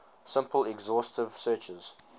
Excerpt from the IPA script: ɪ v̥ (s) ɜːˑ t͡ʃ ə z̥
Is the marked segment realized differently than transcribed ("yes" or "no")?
no